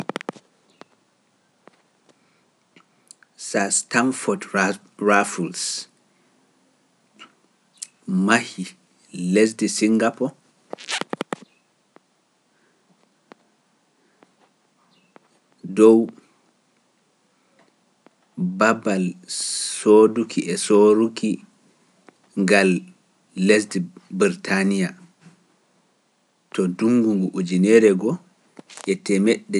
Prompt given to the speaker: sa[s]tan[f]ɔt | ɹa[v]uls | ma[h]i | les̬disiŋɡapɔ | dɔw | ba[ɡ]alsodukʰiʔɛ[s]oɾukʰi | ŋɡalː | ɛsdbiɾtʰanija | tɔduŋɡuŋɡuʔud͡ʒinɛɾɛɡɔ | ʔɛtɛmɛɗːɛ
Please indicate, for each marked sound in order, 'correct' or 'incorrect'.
correct, correct, incorrect, correct, incorrect, correct

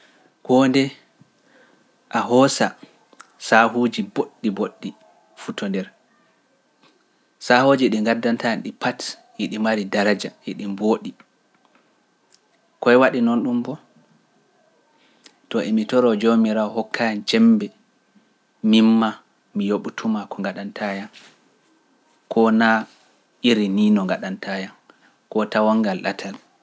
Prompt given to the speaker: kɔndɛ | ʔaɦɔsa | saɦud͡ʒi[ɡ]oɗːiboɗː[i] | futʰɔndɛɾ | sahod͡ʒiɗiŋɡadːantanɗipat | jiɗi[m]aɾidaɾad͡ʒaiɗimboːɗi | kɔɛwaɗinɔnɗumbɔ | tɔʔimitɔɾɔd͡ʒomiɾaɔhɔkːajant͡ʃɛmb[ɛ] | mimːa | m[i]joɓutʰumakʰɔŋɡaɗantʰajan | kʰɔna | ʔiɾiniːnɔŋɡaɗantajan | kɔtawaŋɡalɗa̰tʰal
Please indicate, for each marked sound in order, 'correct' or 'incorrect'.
incorrect, correct, correct, correct, correct

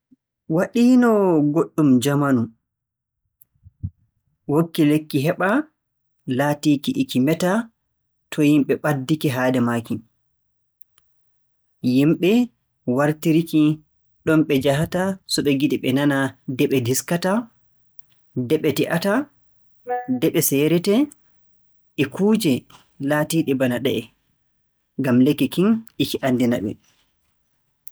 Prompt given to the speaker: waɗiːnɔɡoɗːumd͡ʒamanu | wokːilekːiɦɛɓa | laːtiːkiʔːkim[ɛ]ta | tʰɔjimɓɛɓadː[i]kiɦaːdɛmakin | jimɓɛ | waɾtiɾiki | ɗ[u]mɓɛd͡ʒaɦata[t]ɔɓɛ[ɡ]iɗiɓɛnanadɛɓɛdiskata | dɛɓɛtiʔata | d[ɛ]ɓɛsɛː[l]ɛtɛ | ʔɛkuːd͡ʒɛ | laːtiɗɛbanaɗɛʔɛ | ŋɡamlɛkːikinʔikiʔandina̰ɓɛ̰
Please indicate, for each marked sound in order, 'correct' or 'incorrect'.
correct, correct, incorrect, incorrect, correct, correct, incorrect

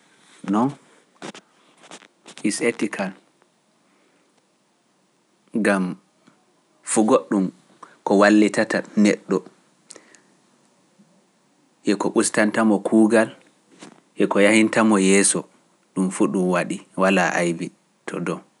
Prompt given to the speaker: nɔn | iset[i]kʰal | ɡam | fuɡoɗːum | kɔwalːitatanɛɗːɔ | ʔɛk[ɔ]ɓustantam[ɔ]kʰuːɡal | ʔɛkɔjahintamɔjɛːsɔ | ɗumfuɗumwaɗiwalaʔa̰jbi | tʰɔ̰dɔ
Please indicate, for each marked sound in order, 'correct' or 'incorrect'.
correct, correct, correct

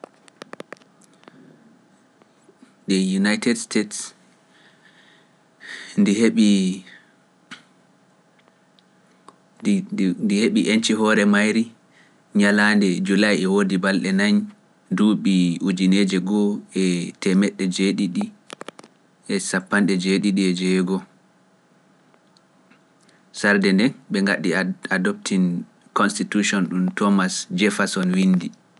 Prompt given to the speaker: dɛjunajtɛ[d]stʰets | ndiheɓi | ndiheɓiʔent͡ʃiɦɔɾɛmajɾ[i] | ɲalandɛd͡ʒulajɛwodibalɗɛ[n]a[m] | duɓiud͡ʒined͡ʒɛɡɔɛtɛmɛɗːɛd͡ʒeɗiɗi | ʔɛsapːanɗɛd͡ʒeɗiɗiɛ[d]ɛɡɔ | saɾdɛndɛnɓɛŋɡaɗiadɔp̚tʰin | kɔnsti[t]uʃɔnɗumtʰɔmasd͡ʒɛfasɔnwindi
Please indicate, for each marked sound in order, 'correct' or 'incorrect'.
correct, correct, correct, incorrect, incorrect, correct

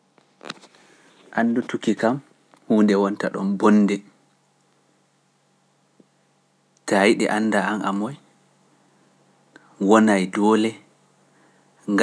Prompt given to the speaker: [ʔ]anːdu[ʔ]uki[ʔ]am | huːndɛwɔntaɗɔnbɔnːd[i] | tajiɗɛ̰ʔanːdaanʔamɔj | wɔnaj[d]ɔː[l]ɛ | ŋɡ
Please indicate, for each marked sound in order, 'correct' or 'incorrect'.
correct, incorrect, incorrect, incorrect, correct, correct

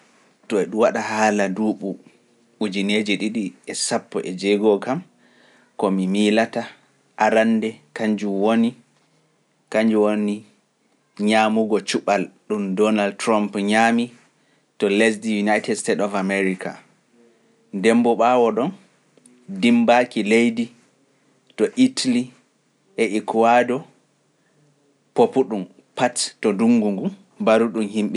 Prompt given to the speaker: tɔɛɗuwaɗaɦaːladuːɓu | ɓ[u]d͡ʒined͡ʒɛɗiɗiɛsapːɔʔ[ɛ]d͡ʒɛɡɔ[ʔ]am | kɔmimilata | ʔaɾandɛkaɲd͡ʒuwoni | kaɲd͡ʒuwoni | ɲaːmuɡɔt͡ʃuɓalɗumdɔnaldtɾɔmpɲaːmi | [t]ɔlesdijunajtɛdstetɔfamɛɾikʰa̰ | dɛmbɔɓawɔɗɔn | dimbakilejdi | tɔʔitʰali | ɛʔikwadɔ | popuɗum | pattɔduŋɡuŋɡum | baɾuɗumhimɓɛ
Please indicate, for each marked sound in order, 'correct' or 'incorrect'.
correct, correct, incorrect, correct

